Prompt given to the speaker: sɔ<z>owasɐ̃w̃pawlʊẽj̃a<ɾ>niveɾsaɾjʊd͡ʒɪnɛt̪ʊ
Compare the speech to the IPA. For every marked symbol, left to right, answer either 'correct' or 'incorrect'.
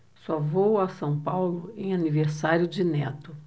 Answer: incorrect: v, incorrect: none

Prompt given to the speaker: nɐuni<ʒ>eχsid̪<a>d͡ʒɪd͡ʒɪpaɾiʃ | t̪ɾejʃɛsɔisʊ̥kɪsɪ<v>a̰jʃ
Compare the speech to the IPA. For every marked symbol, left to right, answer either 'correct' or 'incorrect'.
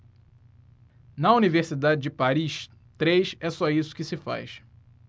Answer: incorrect: v, correct, incorrect: f

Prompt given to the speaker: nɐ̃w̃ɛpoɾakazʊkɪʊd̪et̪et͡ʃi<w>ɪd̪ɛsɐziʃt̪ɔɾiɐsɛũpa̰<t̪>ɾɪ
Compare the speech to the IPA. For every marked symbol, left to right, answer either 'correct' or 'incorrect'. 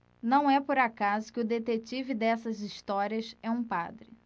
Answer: incorrect: v, incorrect: d̪

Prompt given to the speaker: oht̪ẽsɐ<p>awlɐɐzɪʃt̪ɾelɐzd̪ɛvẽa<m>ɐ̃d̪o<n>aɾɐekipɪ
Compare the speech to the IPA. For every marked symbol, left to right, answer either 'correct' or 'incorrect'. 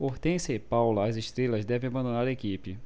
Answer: correct, incorrect: b, correct

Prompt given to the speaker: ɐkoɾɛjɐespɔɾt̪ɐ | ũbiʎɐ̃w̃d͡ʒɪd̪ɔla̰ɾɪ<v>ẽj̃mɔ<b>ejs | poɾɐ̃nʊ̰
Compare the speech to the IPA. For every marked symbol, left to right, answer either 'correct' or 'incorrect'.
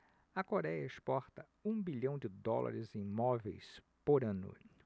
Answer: incorrect: z, incorrect: v

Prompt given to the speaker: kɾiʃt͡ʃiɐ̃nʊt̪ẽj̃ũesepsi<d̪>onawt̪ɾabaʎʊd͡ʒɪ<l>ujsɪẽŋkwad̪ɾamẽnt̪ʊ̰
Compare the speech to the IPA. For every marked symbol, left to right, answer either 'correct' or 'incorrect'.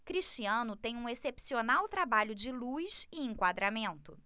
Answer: incorrect: none, correct

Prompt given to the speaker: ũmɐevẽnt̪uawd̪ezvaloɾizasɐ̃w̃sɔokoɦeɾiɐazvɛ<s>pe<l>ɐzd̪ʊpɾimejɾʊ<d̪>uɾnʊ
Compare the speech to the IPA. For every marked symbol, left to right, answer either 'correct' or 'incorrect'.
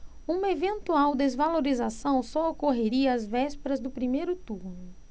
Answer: correct, incorrect: ɾ, incorrect: t̪

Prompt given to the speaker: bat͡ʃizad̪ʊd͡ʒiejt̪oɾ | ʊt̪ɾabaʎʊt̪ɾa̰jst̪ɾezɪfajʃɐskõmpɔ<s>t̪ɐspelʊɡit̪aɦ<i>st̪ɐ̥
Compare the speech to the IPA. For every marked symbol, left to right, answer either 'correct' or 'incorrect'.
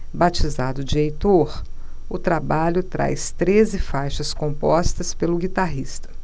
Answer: correct, correct

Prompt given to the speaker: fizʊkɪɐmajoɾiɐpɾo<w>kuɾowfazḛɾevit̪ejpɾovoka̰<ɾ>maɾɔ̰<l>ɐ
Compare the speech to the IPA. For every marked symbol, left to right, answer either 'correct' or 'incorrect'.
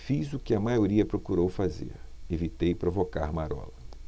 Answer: incorrect: none, correct, correct

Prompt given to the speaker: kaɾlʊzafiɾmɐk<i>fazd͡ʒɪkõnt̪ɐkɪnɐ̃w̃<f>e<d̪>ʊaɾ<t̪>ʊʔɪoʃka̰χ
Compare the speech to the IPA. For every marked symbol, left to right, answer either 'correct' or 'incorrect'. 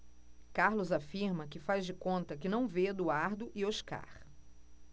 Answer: incorrect: ɪ, incorrect: v, correct, incorrect: d̪

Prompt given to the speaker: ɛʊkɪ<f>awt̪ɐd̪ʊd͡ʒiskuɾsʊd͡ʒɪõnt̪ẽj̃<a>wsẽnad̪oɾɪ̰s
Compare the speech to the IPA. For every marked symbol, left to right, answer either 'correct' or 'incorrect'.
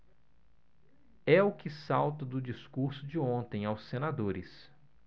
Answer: incorrect: s, correct

